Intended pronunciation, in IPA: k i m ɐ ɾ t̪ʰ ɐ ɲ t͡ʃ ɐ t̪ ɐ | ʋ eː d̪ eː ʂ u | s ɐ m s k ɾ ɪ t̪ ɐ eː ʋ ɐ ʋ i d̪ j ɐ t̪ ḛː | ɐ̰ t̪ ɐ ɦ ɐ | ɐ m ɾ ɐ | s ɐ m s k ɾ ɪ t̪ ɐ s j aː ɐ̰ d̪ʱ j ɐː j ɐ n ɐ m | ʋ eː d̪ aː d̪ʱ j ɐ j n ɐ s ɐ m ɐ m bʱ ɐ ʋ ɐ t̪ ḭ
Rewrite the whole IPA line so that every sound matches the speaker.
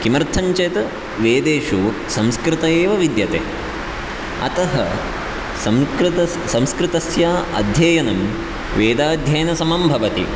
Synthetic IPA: k i m ɐ ɾ t̪ʰ ɐ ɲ t͡ʃ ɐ t̪ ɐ | ʋ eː d̪ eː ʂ u | s ɐ m s k ɾ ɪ t̪ ɐ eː ʋ ɐ ʋ i d̪ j ɐ t̪ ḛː | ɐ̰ t̪ ɐ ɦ ɐ | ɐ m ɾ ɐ | s ɐ m s k ɾ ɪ t̪ ɐ s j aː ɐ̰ d̪ʱ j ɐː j ɐ n ɐ m | ʋ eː d̪ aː d̪ʱ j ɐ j n ɐ s ɐ m ɐ m bʱ ɐ ʋ ɐ t̪ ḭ